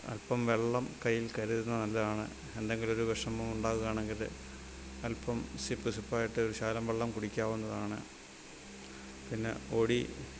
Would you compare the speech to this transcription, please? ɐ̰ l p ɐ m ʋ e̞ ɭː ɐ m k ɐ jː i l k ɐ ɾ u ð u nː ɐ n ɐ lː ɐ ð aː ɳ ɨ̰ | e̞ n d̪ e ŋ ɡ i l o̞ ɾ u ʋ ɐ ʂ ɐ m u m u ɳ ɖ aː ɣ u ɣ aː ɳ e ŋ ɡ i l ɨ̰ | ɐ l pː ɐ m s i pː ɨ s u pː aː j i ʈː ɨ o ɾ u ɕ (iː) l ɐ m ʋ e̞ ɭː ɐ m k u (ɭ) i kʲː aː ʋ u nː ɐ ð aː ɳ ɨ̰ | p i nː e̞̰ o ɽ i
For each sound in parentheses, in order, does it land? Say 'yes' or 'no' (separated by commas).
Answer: no, no